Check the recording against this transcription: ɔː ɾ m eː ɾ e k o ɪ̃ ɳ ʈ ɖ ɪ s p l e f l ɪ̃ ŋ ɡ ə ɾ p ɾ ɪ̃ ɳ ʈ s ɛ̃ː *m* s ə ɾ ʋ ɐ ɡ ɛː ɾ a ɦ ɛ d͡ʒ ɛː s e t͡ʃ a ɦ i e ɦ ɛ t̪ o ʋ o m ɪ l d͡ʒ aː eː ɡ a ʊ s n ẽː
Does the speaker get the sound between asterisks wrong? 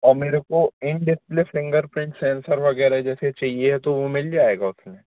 yes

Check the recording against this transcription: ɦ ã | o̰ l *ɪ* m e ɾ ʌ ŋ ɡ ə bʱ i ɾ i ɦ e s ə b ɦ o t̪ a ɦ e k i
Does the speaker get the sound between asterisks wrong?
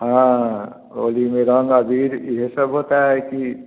yes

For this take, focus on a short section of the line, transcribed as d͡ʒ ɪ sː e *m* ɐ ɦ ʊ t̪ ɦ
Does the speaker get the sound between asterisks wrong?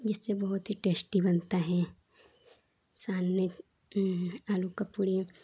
yes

